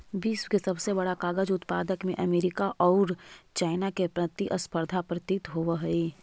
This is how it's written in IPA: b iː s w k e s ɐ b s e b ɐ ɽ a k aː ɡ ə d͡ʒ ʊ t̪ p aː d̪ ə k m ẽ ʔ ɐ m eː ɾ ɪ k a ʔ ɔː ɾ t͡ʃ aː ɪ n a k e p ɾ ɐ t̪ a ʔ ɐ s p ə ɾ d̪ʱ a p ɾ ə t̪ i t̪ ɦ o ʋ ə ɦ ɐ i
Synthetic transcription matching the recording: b iː s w k e s ɐ b s e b ɐ ɽ a k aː ɡ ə d͡ʒ ʊ t̪ p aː d̪ ə k m ẽ ʔ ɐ m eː ɾ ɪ k a ʔ ɔː ɾ t͡ʃ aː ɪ n a k e p ɾ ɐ t̪ i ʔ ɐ s p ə ɾ d̪ʱ a p ɾ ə t̪ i t̪ ɦ o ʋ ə ɦ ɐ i